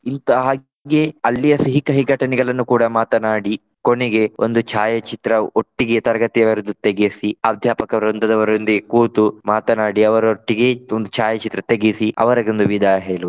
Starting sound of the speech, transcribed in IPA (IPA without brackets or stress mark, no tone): i